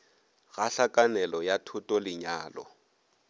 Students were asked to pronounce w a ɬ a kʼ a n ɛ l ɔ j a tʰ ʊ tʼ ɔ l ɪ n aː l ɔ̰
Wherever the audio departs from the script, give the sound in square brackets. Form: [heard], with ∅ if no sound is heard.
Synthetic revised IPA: [ɣ] a ɬ a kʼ a n ɛ l ɔ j a tʰ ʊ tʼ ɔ l ɪ [ɲ] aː l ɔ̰